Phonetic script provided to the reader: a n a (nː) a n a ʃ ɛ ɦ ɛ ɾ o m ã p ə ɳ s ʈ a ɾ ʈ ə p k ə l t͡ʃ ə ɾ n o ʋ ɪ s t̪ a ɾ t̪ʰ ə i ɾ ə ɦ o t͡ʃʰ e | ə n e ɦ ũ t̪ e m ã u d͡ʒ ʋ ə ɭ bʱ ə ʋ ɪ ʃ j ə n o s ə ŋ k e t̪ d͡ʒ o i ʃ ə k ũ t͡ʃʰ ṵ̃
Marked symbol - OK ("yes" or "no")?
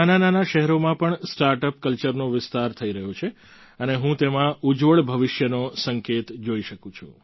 no